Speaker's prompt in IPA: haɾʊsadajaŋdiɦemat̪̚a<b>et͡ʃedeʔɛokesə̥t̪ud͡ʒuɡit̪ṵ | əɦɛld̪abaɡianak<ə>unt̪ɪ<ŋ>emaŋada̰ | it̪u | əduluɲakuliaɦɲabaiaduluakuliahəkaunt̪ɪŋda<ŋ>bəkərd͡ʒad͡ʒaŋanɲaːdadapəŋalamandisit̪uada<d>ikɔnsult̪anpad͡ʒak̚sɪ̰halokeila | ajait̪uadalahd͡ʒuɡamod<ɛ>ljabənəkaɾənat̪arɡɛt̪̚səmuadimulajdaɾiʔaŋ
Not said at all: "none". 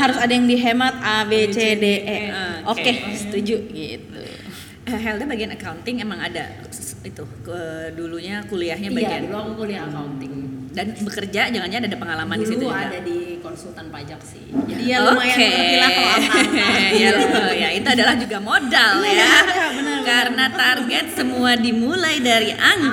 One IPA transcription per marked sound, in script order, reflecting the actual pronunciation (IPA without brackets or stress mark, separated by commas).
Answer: b, a, ŋ, n, d, a